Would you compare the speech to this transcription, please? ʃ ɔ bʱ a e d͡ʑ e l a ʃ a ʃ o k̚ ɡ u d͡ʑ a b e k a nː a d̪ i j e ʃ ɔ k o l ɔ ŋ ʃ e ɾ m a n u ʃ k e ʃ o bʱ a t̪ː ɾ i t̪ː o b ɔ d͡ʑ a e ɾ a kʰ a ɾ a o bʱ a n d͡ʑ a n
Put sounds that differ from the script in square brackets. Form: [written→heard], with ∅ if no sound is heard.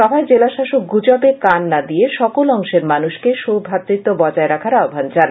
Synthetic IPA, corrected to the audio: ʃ ɔ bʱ a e d͡ʑ e l a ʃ a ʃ o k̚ ɡ u d͡ʑ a b e k a nː a d̪ i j e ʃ ɔ k o l ɔ ŋ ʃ e ɾ m a n u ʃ k e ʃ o bʱ a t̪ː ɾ i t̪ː o b ɔ d͡ʑ a e ɾ a kʰ a ɾ a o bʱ a n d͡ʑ a n